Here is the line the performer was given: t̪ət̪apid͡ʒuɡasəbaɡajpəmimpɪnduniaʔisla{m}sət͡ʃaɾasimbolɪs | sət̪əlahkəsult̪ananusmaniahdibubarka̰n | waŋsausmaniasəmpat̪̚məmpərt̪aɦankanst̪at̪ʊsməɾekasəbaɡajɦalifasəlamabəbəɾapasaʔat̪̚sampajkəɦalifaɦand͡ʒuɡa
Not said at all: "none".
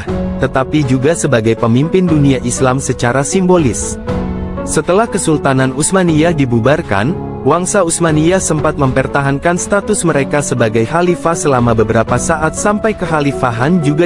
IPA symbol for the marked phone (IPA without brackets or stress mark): m